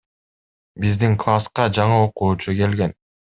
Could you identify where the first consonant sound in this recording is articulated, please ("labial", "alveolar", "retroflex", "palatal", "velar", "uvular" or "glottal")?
labial